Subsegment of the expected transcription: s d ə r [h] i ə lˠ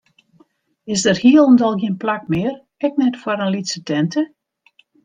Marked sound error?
no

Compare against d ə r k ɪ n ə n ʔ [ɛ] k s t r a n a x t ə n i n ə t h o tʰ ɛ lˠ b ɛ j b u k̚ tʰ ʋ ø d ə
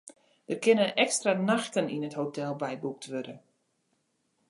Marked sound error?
no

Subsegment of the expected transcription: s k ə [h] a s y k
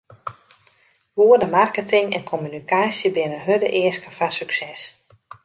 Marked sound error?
yes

